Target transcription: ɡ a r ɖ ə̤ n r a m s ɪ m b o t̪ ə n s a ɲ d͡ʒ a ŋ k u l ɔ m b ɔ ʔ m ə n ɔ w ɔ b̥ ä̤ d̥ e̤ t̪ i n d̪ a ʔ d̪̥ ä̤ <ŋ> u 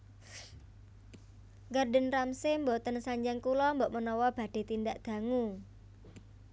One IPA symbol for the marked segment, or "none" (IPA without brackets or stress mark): ŋ